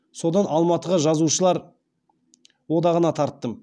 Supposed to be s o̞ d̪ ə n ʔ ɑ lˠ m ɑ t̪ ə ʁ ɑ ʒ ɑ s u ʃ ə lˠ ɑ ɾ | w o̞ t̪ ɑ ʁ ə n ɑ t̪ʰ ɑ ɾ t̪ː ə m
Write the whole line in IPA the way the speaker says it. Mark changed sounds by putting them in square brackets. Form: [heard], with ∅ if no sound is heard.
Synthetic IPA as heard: s o̞ d̪ [ɑ] n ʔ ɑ lˠ m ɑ t̪ ə ʁ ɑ ʒ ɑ [z] u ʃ ə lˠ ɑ ɾ | w o̞ [d̪] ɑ ʁ ə n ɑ t̪ʰ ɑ ɾ t̪ː ə m